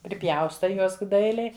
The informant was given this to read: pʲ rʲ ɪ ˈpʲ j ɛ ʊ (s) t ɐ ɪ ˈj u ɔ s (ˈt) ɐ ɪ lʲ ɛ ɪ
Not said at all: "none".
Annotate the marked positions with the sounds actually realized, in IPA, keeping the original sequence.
s, d

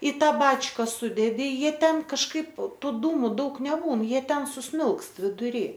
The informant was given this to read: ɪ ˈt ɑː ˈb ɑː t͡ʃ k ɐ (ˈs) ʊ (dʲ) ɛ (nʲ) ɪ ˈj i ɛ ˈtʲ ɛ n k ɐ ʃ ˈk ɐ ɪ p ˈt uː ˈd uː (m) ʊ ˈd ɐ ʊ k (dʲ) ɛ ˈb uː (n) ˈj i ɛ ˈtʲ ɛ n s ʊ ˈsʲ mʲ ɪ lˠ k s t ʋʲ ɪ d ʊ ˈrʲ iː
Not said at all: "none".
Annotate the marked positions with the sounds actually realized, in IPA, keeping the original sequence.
s, dʲ, dʲ, m, nʲ, n

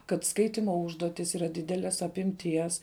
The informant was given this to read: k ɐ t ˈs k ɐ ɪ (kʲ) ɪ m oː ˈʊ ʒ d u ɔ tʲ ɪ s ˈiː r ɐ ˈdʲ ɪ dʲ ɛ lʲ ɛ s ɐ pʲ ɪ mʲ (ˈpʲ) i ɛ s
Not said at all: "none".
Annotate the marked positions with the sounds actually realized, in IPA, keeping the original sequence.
tʲ, tʲ

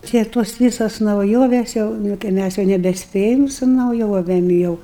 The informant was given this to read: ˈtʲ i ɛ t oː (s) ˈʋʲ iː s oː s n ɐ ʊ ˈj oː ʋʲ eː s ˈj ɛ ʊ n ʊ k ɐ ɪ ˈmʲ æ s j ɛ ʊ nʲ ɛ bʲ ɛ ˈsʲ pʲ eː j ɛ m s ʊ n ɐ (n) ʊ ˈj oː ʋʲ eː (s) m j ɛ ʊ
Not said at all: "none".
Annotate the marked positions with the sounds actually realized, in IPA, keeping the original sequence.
s, none, none

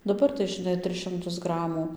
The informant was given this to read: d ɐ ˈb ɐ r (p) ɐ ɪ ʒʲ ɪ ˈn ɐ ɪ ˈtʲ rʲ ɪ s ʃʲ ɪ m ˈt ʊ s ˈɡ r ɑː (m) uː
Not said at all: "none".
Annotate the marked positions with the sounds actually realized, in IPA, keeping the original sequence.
t, m

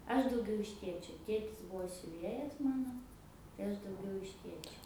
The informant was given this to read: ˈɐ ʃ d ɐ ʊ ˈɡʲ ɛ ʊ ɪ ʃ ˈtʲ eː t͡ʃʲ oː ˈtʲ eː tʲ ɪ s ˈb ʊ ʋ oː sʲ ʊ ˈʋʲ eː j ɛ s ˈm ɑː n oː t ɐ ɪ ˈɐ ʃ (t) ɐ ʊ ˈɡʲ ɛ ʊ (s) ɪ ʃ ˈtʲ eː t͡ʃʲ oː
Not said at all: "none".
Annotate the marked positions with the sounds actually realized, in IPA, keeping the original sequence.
d, none

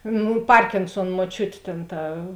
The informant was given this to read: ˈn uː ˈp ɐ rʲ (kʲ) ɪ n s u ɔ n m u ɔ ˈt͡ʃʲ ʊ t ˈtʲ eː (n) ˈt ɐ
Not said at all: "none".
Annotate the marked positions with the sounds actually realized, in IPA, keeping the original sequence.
kʲ, n

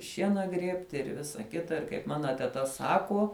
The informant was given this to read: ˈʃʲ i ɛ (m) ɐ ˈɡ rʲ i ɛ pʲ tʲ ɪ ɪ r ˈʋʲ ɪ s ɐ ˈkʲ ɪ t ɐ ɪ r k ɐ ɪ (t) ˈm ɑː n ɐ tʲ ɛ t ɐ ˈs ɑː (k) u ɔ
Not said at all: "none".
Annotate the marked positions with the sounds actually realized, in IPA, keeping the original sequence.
n, p, k

